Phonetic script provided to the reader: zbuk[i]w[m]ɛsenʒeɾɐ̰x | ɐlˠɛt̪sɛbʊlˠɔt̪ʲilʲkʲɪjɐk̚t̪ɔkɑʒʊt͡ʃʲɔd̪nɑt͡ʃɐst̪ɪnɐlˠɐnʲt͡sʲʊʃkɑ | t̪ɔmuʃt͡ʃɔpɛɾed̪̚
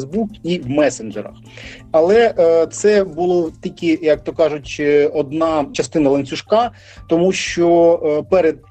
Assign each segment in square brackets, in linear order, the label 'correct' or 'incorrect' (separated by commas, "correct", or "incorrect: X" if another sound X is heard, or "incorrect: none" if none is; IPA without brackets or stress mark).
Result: correct, correct